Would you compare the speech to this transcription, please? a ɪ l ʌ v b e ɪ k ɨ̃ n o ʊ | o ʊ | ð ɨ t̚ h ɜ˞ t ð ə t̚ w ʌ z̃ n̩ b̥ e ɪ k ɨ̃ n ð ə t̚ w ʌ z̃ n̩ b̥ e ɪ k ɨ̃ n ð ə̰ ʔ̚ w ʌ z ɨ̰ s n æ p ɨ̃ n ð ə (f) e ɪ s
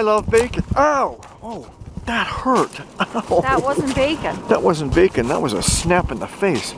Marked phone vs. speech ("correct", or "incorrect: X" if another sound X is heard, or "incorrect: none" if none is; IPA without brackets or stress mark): correct